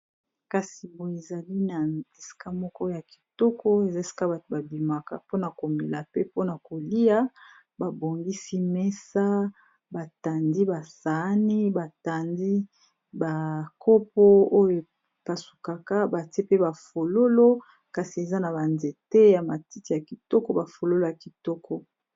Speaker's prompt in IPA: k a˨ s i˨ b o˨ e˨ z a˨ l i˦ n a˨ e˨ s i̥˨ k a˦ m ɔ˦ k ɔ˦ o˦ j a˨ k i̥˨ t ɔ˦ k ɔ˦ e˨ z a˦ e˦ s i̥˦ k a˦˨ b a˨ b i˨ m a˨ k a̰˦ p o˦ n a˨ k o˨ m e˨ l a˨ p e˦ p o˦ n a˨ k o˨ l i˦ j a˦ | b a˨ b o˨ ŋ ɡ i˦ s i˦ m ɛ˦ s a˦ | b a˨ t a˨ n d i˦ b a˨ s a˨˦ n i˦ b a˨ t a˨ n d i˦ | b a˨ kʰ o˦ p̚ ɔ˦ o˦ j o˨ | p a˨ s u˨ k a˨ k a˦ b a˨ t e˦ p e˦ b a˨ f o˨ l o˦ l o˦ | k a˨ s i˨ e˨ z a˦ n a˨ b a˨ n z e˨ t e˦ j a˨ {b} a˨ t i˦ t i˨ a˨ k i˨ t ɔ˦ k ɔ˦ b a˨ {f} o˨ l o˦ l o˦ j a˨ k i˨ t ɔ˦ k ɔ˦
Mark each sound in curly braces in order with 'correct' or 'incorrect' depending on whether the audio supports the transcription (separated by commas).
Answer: incorrect, correct